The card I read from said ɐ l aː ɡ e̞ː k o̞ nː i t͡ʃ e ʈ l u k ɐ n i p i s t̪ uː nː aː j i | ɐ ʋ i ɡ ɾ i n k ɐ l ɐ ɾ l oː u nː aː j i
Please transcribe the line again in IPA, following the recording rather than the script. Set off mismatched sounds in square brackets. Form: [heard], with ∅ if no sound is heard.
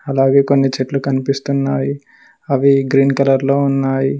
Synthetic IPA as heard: ɐ l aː ɡ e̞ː k o̞ nː i t͡ʃ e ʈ l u k ɐ n i p i s t̪ [u] nː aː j i | ɐ ʋ i ɡ ɾ [iː] n k ɐ l ɐ ɾ l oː u nː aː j i